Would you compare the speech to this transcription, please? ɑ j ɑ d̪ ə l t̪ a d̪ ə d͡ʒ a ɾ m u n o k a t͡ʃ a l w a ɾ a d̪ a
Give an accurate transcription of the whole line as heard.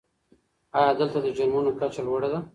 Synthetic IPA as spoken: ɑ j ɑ d̪ ə l t̪ a d̪ ə d͡ʒ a ɾ m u n o k a t͡ʃ a l w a ɽ a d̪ a